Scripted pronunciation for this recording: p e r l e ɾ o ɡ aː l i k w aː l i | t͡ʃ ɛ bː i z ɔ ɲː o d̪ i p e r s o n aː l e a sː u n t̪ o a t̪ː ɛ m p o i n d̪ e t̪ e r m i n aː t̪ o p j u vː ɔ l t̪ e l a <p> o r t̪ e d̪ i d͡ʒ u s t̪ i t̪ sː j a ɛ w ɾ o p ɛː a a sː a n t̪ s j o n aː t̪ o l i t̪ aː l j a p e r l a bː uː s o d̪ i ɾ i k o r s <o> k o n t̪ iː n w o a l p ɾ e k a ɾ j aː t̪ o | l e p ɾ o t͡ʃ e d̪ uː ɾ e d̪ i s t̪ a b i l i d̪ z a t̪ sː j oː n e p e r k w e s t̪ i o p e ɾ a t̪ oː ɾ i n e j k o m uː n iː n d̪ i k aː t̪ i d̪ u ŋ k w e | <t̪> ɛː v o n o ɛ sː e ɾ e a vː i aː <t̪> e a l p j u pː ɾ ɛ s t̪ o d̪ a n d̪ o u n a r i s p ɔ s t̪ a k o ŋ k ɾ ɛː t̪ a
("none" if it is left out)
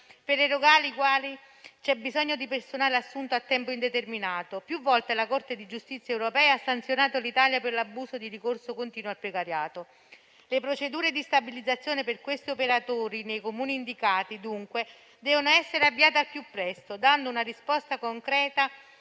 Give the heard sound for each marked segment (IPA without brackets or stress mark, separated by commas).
k, o, d̪, t̪